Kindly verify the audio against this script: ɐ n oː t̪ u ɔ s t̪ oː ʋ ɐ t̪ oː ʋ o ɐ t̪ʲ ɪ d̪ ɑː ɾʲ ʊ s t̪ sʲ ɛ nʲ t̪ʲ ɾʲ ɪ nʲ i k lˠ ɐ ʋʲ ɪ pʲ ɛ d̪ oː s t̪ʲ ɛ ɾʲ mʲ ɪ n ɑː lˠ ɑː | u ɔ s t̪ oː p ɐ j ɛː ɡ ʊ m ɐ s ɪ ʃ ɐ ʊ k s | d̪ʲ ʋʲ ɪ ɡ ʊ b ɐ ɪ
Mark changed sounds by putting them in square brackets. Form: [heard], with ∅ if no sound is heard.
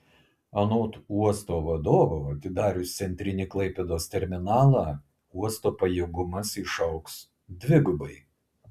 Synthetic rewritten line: ɐ n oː t̪ u ɔ s t̪ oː ʋ ɐ [d̪] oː ʋ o ɐ t̪ʲ ɪ d̪ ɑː ɾʲ ʊ s t̪ sʲ ɛ nʲ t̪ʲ ɾʲ ɪ nʲ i k lˠ ɐ [∅] ɪ pʲ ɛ d̪ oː s t̪ʲ ɛ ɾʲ mʲ ɪ n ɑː lˠ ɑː | u ɔ s t̪ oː p ɐ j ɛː ɡ ʊ m ɐ s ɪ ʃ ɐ ʊ k s | d̪ʲ ʋʲ ɪ ɡ ʊ b ɐ ɪ